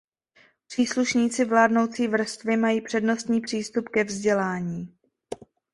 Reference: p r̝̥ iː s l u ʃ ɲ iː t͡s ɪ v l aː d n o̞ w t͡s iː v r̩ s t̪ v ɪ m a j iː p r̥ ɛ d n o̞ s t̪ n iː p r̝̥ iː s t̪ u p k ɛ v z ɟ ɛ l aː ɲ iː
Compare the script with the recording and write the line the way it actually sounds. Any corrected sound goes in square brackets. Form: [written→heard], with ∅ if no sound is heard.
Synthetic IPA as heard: p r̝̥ iː s l u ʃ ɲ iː t͡s ɪ v l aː d n o̞ w t͡s iː v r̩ s t̪ v ɪ m a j iː p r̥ ɛ d n o̞ s t̪ [n→ɲ] iː p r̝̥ iː s t̪ u p k ɛ v z ɟ ɛ l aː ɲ iː